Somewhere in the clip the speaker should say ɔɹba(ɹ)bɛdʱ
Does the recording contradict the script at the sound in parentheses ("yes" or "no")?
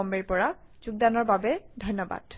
yes